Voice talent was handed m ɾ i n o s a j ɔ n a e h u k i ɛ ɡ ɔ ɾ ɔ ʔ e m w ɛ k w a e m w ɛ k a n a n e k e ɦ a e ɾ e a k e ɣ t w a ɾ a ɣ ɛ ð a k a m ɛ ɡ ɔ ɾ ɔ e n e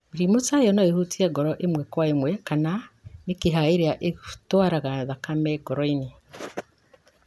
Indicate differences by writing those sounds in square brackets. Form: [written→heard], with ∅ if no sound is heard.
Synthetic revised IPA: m ɾ i [n→m] o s a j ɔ n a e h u [k→t] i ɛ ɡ ɔ ɾ ɔ ʔ e m w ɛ k w a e m w ɛ k a n a n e k e ɦ a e ɾ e a [k→ʔ] e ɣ t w a ɾ a ɣ [ɛ→a] ð a k a m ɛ ɡ ɔ ɾ ɔ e n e